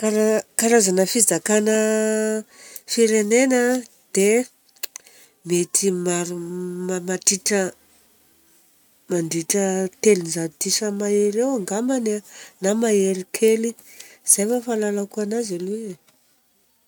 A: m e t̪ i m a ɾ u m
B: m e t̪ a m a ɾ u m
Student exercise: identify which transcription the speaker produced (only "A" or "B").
A